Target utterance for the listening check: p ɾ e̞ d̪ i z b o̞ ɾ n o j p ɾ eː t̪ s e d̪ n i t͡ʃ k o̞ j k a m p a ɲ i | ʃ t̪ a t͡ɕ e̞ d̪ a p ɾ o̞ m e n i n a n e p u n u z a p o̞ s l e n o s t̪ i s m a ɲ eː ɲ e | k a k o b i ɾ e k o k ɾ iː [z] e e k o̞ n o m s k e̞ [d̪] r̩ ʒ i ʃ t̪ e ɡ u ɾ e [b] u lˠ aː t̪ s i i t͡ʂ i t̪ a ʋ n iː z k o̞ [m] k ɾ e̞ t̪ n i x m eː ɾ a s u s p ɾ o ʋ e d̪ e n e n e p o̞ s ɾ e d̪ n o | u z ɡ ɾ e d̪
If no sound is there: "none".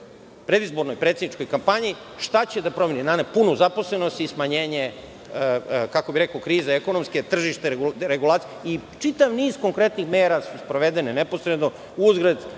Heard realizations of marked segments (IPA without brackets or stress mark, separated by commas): z, t̪, ɡ, ŋ